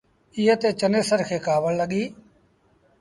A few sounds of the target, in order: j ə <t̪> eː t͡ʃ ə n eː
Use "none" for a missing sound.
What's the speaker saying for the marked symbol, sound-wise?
t̪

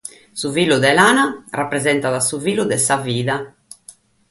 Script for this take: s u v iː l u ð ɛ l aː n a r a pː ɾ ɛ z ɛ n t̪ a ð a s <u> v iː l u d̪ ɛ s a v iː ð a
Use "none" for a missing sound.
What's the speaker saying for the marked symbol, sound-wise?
u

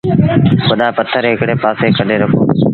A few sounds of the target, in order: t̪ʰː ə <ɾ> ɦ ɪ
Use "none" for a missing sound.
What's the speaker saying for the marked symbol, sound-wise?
ɾ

